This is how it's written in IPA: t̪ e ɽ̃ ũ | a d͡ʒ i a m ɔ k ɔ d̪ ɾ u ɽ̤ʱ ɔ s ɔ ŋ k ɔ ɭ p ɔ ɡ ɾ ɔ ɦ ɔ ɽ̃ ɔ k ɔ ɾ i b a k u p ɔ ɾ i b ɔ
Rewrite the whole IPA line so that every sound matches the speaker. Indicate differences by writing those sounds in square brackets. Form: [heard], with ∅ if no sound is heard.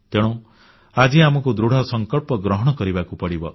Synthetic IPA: t̪ e ɽ̃ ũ | a d͡ʒ i a m ɔ k [u] d̪ ɾ u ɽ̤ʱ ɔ s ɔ ŋ k ɔ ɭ p ɔ ɡ ɾ ɔ ɦ ɔ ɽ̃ ɔ k ɔ ɾ i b a k u p ɔ [ɽ] i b ɔ